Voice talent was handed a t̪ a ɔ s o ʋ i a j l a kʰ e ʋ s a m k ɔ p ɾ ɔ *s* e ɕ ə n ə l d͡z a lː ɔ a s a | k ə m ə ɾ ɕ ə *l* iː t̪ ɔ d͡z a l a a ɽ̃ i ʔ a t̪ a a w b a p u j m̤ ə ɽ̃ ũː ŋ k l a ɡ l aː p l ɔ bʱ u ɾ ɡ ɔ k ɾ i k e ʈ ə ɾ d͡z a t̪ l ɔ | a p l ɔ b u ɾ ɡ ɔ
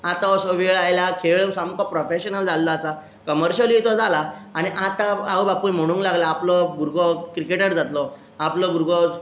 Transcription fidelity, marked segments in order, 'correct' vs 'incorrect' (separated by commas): incorrect, correct